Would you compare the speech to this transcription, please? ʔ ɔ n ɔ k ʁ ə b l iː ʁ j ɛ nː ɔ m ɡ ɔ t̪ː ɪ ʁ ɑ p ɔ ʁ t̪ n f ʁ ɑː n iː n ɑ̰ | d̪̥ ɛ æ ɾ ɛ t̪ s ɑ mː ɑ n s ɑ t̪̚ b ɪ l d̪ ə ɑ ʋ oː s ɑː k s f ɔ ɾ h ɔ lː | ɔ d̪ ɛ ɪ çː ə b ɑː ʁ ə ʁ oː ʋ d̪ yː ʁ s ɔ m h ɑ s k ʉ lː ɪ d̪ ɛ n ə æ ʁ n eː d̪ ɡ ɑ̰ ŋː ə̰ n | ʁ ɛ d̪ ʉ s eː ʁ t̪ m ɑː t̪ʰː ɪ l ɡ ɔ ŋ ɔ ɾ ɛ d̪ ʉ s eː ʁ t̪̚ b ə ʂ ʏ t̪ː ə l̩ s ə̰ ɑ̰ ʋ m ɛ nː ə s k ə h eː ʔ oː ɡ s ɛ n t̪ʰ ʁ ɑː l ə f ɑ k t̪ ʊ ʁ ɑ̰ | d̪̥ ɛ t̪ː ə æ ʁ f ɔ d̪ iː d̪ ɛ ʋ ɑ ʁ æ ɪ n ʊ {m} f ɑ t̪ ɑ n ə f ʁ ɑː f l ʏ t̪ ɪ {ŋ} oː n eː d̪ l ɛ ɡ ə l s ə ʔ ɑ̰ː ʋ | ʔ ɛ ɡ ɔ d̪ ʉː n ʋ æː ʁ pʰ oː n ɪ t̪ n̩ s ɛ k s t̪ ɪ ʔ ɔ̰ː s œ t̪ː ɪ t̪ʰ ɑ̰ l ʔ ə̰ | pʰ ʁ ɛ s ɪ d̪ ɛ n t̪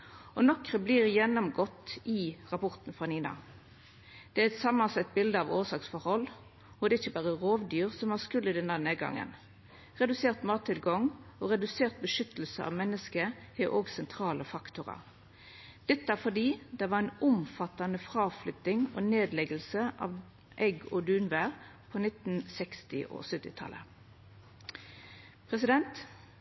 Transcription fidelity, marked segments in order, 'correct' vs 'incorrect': correct, correct

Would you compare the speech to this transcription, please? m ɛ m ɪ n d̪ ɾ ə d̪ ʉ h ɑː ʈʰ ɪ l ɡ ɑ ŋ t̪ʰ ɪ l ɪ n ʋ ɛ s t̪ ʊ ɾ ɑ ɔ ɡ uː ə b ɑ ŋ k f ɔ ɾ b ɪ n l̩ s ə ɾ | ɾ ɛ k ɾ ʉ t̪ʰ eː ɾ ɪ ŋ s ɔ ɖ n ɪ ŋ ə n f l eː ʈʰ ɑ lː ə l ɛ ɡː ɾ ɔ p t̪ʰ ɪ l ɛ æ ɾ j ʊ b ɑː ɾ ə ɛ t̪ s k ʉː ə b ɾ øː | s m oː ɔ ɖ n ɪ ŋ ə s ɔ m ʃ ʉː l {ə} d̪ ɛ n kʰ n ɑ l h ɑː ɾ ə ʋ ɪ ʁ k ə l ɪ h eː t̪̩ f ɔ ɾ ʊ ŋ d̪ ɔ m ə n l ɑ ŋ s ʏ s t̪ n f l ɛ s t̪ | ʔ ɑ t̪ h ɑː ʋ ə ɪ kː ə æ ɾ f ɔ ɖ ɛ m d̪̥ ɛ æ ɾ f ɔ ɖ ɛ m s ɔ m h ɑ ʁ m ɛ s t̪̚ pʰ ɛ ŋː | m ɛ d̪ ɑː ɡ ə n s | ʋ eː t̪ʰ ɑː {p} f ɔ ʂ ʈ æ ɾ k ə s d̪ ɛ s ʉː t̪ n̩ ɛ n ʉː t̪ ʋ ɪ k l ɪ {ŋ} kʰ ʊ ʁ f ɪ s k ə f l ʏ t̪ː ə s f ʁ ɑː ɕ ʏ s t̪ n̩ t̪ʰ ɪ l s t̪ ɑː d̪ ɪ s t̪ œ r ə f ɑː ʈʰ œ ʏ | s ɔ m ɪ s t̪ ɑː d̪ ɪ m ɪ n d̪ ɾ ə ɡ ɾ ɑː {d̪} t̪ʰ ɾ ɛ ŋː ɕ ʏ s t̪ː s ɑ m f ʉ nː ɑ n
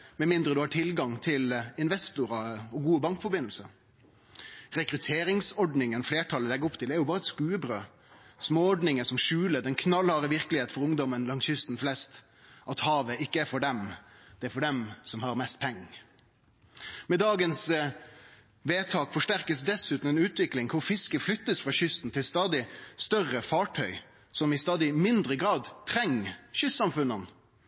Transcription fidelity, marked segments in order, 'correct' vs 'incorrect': correct, incorrect: k, correct, correct

